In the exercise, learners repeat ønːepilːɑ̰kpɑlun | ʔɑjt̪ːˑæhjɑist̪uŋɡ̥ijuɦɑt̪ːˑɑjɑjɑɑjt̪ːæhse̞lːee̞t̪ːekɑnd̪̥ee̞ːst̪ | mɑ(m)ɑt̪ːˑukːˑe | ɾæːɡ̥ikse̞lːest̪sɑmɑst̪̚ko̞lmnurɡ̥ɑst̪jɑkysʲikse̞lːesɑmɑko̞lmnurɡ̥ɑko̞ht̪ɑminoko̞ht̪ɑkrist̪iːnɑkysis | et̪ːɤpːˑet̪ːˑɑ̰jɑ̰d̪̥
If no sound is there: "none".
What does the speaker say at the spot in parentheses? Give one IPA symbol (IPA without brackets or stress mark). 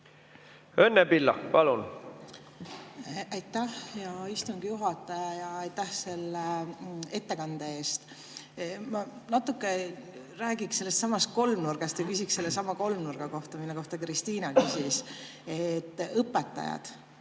n